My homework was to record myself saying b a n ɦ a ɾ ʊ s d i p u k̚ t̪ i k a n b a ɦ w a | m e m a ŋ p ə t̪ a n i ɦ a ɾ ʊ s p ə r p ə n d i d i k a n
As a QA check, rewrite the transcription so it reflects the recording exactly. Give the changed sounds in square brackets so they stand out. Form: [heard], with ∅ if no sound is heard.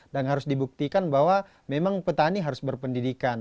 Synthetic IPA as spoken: [d] a n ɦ a ɾ ʊ s d i [b] u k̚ t̪ i k a n b a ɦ w a | m e m a ŋ p ə t̪ a n i ɦ a ɾ ʊ s [b] ə r p ə n d i d i k a n